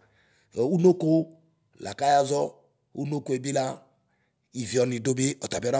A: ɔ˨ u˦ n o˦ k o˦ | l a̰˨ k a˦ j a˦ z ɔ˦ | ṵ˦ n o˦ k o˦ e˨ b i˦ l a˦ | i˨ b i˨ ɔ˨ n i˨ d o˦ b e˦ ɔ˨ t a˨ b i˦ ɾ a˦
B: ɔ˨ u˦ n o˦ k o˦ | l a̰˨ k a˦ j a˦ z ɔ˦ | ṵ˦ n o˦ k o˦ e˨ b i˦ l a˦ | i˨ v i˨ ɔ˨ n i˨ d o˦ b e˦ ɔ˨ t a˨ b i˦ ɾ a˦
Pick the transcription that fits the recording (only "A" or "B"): B